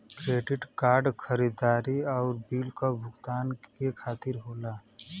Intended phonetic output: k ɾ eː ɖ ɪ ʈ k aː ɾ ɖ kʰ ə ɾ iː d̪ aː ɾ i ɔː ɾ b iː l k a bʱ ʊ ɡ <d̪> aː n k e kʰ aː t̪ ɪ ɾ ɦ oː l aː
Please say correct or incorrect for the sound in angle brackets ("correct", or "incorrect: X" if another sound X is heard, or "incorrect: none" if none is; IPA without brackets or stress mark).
incorrect: t̪